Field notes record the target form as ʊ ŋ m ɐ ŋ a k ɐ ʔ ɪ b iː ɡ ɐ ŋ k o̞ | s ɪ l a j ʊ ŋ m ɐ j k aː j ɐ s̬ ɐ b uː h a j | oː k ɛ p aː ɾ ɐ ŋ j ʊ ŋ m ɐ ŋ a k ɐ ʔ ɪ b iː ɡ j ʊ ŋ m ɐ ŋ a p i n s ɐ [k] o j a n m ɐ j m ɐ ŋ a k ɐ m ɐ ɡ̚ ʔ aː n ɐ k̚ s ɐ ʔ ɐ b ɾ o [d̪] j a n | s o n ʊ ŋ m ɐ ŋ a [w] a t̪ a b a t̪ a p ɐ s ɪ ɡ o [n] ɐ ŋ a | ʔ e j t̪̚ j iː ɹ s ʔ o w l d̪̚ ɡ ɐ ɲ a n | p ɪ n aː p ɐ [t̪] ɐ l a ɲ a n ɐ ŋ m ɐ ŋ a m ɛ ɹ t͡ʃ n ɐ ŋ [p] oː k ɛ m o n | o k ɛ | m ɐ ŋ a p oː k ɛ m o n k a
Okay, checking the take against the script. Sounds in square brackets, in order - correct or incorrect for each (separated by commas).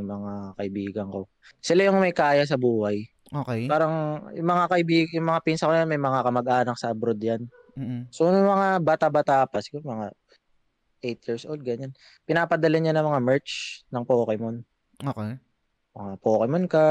correct, correct, incorrect, incorrect, incorrect, correct